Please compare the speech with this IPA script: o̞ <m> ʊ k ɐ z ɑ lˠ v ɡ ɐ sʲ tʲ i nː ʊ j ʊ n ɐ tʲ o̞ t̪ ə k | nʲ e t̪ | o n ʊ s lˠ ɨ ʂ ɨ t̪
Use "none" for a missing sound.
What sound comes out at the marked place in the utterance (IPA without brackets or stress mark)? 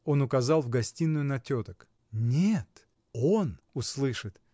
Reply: n